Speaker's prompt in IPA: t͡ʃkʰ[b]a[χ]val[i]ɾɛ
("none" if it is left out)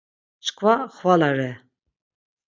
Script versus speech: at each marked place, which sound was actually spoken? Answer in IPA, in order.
v, χ, a

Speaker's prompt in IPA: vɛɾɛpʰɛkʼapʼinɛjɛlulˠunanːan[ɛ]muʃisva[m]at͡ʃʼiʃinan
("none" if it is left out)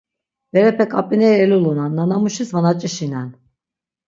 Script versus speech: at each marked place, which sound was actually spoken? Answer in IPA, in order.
a, n

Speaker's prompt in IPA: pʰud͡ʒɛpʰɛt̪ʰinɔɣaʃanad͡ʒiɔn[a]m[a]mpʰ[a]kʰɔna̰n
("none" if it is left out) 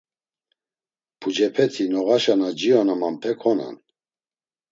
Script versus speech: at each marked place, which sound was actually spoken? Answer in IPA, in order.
a, a, ɛ

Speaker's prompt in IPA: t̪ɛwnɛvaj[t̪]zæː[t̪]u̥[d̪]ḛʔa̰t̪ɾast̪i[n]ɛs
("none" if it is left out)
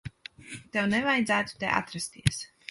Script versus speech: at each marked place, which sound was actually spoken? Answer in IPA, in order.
d̪, t̪, t̪, none

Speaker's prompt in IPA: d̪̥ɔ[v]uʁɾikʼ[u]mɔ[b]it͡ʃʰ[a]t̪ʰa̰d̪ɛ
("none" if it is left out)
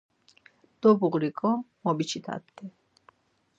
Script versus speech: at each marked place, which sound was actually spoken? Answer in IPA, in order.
b, ɔ, b, i

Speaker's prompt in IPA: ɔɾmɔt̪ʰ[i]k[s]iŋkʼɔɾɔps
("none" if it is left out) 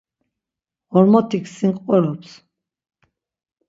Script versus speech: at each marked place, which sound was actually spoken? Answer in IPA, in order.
i, s

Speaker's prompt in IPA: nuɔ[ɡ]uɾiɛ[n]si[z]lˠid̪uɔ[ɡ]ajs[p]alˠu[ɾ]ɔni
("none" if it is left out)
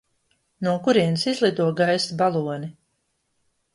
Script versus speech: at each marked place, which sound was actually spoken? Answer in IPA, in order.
k, n, z, ɡ, b, none

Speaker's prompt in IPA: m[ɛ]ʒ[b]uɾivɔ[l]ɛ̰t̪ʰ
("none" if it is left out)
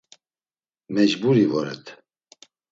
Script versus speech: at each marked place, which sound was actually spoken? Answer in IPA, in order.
ɛ, b, ɾ

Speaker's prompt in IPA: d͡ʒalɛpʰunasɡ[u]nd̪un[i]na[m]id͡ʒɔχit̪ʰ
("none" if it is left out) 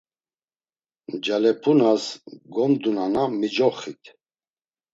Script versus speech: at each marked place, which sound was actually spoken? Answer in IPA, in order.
ɔ, a, m

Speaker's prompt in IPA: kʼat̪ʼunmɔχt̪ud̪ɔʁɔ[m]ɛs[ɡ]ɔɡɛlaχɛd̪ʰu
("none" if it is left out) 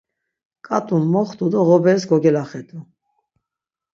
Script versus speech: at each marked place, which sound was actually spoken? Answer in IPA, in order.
b, ɡ

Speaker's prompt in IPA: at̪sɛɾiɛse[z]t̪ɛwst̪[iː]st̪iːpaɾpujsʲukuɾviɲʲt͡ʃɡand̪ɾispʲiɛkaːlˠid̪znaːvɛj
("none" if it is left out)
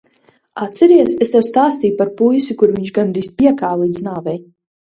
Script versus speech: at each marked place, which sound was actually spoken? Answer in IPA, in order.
s, aː

